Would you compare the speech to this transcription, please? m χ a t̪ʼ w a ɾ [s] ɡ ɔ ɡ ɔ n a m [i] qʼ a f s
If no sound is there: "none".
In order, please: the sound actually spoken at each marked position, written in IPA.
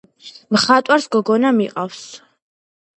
s, i

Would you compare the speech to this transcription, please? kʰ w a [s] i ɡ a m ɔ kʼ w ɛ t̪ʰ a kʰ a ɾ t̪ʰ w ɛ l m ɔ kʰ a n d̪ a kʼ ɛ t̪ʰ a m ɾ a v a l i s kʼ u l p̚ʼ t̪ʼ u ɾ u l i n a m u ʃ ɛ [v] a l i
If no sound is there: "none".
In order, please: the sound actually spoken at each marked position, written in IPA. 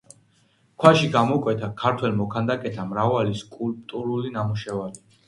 ʃ, v

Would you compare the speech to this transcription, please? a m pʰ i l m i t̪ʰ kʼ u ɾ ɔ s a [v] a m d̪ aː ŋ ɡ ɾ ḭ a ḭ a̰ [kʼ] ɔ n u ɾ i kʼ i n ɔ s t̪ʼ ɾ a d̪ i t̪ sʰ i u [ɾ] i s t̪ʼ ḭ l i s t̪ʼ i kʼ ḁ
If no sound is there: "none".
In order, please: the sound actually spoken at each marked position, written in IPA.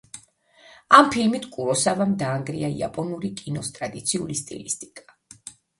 v, pʼ, l

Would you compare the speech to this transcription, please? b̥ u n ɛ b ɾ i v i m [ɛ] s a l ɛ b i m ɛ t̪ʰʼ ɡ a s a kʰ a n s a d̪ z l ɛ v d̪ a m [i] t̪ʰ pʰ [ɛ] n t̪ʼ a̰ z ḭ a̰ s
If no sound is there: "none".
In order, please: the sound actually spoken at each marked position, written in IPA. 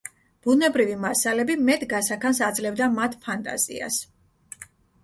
a, a, a

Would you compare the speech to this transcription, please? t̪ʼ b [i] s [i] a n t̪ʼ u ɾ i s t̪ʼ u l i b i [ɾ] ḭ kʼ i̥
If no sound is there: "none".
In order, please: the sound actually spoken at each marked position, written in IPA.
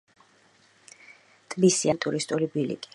i, i, l

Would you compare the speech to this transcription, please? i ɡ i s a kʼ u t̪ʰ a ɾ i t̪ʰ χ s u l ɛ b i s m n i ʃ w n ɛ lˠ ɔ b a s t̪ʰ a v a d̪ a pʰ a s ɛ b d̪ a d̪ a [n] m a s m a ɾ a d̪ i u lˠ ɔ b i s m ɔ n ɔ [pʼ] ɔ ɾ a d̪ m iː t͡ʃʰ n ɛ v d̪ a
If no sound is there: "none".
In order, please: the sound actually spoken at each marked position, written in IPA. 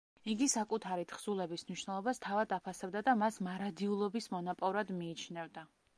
none, pʼ

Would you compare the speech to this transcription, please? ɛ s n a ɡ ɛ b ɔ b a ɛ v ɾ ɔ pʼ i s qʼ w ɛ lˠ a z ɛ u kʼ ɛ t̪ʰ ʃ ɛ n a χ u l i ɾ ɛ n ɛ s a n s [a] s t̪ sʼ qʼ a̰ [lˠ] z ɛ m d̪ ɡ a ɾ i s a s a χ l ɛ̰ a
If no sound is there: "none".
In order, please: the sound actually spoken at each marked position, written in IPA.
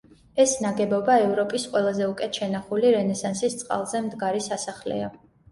i, lˠ

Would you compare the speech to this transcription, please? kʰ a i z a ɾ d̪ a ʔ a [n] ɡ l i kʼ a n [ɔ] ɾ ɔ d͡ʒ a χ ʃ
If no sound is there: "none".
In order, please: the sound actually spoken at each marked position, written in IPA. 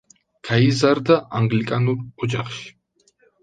ŋ, u

